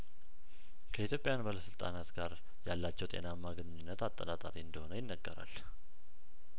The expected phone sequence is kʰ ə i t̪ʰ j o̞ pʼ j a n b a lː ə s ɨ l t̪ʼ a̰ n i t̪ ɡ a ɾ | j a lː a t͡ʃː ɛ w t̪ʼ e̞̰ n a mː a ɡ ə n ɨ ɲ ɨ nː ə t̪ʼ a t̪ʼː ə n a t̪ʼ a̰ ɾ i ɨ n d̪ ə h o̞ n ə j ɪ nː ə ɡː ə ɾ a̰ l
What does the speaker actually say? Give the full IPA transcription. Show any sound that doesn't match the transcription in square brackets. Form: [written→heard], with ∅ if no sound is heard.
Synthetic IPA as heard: kʰ ə i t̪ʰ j o̞ pʼ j a n b a [lː→l] ə s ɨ l t̪ʼ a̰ n [i→a] t̪ ɡ a ɾ | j a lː a t͡ʃː ɛ w t̪ʼ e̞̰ n a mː a ɡ ə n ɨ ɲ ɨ nː ə [t̪ʼ→t̪] a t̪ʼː ə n a t̪ʼ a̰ ɾ i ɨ n d̪ ə h o̞ n ə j ɪ nː ə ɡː ə ɾ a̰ l